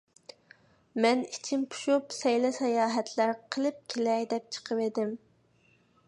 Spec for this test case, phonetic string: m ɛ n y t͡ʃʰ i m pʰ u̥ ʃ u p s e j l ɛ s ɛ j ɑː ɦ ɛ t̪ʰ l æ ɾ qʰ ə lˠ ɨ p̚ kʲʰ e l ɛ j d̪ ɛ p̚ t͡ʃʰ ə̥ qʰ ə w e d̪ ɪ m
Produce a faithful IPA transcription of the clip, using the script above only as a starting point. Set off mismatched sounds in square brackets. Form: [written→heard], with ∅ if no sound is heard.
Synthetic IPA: m ɛ n [y→i] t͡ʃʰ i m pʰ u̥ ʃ u p s [e→ɛ] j l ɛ s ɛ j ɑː ɦ ɛ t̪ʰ l æ ɾ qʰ ə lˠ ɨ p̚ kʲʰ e l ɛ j d̪ ɛ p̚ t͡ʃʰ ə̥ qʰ ə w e d̪ ɪ m